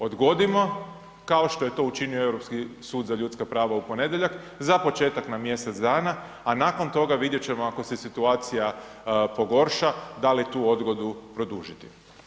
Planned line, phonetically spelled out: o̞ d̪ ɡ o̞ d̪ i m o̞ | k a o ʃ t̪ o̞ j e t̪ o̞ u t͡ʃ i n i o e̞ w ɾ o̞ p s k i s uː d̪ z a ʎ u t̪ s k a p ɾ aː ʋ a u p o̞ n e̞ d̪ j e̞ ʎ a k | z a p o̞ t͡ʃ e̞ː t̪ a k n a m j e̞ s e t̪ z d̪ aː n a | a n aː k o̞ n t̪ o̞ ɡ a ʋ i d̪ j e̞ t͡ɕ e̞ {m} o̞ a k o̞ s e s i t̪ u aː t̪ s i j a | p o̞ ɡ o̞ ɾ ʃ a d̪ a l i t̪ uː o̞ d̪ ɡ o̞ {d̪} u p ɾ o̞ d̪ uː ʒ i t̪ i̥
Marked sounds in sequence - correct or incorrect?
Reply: correct, correct

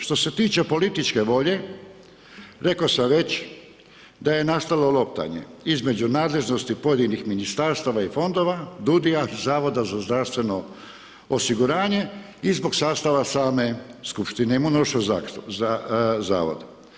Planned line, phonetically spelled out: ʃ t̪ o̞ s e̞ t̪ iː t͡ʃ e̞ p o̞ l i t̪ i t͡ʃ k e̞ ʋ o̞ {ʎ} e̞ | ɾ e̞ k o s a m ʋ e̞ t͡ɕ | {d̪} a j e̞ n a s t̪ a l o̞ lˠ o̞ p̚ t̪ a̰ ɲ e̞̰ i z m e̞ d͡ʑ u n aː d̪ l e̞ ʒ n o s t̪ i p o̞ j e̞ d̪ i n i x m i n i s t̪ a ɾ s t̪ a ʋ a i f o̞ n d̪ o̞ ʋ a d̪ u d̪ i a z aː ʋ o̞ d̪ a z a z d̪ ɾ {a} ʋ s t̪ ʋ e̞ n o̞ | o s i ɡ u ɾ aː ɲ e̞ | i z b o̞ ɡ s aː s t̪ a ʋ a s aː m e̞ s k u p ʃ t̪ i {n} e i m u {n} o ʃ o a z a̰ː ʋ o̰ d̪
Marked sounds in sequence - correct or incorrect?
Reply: correct, correct, correct, correct, correct

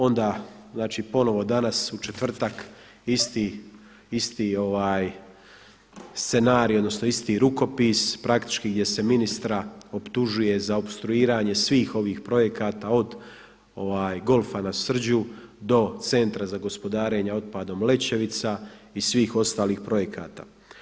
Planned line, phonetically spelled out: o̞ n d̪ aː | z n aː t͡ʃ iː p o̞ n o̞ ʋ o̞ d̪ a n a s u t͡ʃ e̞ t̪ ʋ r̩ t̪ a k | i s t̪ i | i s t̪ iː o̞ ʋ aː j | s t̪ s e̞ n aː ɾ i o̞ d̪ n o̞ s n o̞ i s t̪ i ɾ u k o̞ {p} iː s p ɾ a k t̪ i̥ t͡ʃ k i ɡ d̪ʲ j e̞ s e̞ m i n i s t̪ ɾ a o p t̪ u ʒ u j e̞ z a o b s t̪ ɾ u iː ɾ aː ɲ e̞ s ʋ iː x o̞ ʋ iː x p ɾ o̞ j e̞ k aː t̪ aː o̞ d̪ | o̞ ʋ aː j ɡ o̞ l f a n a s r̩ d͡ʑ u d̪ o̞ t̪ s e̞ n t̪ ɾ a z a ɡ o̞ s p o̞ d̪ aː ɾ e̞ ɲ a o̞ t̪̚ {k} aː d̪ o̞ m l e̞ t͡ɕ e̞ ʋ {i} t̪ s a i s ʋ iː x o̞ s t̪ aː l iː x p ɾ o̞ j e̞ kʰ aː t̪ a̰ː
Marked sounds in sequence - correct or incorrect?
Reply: correct, incorrect, correct

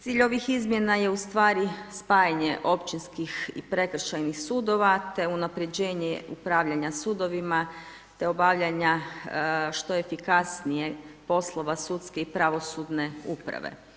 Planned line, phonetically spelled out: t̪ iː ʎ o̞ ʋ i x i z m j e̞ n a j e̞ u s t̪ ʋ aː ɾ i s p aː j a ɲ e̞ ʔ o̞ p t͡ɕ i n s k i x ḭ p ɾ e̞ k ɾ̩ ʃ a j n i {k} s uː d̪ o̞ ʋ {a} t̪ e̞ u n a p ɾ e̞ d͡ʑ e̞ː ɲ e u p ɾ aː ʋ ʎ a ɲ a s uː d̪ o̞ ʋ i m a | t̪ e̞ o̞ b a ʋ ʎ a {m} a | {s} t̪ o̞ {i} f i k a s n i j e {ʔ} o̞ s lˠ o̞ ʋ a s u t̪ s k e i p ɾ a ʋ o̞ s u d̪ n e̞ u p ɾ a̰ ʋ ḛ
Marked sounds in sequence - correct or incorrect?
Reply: incorrect, correct, incorrect, incorrect, incorrect, incorrect

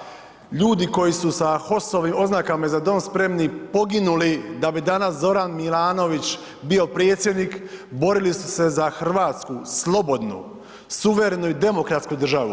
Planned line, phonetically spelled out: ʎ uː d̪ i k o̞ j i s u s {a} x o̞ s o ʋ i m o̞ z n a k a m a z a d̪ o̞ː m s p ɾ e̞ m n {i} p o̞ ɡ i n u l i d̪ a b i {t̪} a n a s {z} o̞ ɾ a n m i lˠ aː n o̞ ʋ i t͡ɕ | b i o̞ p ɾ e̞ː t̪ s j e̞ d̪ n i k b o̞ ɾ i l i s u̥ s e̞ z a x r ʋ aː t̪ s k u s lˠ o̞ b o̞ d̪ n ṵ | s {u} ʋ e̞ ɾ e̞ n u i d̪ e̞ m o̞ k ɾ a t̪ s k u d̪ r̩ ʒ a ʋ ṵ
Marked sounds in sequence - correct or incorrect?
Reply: correct, correct, incorrect, correct, correct

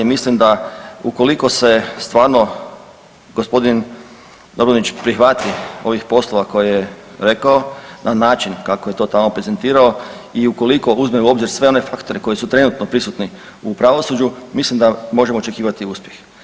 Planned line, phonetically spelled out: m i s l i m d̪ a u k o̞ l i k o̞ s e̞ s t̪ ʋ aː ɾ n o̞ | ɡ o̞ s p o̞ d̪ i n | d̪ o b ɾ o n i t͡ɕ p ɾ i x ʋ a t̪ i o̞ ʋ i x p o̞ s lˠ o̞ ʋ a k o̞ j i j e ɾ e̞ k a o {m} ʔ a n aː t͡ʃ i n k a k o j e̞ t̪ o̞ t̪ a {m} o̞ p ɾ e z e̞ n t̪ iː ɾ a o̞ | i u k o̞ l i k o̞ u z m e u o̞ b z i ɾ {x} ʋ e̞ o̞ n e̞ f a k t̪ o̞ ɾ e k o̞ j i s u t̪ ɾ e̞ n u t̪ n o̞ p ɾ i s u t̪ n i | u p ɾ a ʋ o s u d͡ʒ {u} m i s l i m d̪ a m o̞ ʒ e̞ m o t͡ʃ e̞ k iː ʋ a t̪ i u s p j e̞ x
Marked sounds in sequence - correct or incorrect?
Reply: incorrect, correct, incorrect, correct

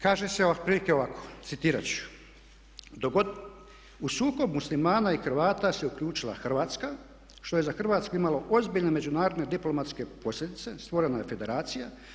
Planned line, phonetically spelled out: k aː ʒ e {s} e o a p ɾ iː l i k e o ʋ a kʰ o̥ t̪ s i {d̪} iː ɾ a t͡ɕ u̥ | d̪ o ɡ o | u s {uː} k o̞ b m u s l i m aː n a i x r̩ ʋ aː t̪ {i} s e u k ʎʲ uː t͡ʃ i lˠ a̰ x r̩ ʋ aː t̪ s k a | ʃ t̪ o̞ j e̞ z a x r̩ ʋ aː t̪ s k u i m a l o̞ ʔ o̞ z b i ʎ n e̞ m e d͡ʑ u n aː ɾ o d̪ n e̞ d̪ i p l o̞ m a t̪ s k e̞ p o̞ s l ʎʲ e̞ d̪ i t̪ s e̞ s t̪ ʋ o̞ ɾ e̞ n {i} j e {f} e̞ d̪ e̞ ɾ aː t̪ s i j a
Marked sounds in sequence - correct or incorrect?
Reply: correct, incorrect, correct, incorrect, incorrect, correct

